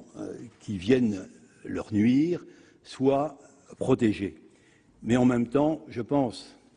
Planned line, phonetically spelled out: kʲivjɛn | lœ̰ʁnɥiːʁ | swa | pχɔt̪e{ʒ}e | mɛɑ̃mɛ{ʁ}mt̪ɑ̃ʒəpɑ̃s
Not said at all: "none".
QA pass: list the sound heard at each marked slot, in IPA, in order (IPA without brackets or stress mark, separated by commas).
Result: ʒ, none